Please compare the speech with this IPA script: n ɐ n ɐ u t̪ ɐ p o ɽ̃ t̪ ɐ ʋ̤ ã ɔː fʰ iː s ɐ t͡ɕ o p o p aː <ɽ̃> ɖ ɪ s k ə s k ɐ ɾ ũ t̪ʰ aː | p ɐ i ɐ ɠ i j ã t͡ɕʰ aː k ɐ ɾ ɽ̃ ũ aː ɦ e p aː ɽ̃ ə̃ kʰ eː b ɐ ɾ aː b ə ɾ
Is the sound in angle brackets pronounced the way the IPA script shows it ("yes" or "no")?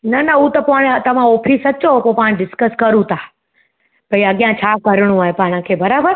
yes